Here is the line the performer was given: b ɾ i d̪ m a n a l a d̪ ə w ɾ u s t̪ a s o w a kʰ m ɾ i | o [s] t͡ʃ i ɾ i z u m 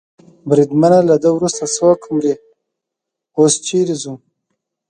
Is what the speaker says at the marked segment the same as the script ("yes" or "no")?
yes